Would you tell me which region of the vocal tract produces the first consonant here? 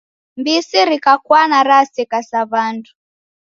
lips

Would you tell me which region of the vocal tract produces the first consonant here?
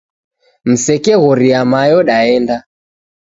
lips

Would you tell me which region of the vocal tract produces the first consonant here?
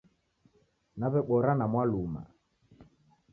tongue tip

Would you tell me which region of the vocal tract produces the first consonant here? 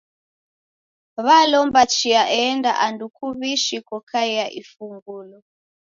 lips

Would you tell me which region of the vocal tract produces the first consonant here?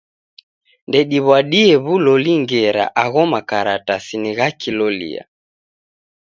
tongue tip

